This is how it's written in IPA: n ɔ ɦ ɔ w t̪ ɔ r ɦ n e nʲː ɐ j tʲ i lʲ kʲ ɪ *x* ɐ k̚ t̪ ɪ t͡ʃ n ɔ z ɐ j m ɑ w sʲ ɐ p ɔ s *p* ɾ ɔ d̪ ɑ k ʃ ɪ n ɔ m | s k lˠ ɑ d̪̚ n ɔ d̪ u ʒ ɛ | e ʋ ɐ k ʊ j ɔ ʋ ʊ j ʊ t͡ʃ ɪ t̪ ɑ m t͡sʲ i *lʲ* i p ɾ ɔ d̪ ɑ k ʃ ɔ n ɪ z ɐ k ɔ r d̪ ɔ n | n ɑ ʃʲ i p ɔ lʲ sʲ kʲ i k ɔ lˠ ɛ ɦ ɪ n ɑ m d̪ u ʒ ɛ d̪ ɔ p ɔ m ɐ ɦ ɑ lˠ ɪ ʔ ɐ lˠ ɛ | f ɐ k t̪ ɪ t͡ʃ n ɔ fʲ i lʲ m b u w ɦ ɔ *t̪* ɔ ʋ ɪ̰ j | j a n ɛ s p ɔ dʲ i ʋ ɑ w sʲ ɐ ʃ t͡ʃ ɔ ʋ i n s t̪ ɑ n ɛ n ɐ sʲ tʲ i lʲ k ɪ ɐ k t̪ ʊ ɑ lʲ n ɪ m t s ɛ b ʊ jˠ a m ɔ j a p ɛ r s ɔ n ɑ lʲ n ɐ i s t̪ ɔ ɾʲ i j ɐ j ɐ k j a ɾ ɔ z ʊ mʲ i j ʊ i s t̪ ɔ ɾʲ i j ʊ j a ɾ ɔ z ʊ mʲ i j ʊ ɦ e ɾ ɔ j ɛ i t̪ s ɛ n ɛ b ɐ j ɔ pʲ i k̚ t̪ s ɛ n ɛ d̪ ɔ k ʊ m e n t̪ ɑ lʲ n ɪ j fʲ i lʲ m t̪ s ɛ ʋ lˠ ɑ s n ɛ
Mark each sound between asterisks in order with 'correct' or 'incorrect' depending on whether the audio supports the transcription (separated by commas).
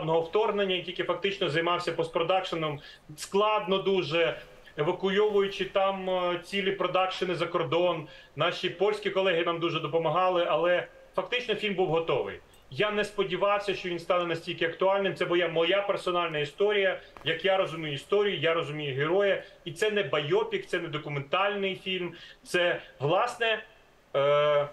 incorrect, correct, correct, correct